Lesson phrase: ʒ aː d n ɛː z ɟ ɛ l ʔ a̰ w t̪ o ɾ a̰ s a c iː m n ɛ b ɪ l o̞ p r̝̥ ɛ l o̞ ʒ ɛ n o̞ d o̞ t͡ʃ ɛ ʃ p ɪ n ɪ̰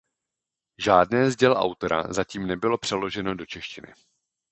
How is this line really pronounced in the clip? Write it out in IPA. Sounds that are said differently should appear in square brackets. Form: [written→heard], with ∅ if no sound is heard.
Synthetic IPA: ʒ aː d n ɛː z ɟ ɛ l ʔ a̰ w t̪ o ɾ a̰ [s→z] a c iː m n ɛ b ɪ l o̞ p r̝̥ ɛ l o̞ ʒ ɛ n o̞ d o̞ t͡ʃ ɛ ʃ [p→c] ɪ n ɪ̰